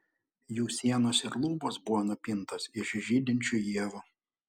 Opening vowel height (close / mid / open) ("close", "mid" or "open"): close